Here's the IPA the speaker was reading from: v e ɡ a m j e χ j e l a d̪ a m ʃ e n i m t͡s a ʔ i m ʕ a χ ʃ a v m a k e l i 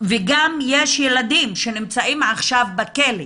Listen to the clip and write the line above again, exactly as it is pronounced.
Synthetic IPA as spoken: v e ɡ a m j e ʃ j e l a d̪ i m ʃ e n i m t͡s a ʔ i m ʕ a χ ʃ a v b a k e l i